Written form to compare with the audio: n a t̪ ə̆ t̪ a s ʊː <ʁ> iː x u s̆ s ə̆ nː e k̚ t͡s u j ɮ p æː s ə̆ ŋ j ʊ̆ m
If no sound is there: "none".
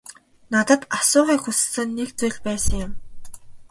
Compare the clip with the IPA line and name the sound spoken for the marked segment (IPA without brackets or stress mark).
ʁ